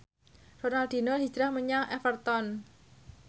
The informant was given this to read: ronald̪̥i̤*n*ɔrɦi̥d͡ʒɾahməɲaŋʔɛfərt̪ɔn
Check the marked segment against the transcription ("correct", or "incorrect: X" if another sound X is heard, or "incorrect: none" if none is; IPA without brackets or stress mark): correct